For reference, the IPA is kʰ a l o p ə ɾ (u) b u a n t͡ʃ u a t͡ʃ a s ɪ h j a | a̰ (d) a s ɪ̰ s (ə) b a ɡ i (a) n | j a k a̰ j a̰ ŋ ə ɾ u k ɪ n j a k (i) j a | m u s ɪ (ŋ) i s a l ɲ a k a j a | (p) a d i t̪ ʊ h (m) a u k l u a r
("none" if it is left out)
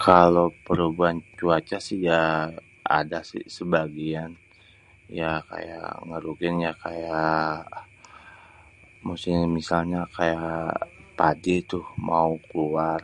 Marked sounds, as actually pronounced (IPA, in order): u, d, ə, a, a, m, p, m

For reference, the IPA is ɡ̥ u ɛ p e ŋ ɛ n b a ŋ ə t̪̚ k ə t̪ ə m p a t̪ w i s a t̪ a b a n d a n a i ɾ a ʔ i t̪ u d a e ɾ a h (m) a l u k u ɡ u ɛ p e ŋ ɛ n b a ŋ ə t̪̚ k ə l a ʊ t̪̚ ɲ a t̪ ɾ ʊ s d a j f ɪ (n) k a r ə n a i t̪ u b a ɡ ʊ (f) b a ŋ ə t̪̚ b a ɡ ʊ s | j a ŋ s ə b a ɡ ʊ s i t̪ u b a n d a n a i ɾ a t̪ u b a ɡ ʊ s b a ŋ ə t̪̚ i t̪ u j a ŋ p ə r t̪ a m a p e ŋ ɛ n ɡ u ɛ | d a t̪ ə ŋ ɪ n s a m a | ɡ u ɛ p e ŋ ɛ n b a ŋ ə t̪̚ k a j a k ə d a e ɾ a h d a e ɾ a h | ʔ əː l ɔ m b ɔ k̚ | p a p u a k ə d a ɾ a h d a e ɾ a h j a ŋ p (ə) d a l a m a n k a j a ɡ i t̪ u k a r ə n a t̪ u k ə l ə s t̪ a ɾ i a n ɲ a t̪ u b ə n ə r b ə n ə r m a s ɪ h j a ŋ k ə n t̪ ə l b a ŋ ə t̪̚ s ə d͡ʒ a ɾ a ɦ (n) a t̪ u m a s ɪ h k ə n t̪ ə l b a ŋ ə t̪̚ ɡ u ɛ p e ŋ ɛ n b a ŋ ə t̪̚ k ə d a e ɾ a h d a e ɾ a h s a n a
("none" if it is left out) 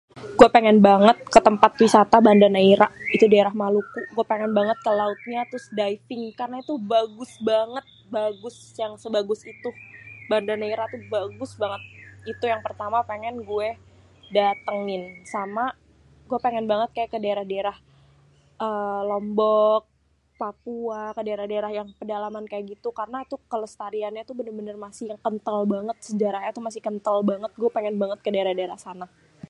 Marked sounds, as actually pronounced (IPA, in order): m, ŋ, s, ə, ɲ

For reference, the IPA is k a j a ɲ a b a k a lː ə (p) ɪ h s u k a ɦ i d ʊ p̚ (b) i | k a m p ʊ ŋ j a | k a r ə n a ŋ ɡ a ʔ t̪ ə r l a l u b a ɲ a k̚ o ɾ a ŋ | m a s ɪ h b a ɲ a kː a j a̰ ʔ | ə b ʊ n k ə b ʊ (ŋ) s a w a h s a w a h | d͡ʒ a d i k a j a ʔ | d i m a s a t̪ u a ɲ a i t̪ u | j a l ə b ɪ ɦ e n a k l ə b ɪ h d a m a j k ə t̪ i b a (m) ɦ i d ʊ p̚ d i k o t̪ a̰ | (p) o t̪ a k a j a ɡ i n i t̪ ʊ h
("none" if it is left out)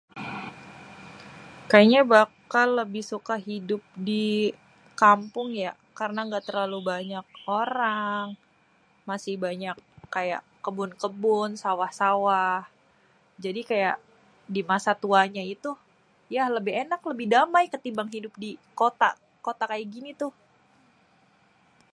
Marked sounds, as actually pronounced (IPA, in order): b, d, n, ŋ, k

